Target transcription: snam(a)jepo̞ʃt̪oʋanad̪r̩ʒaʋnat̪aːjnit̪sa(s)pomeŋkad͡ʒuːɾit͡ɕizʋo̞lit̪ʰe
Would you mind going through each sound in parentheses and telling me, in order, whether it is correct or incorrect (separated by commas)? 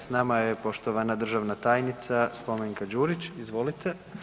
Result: correct, correct